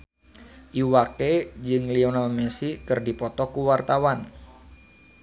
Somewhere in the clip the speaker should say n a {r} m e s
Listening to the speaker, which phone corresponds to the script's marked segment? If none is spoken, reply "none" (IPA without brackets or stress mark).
l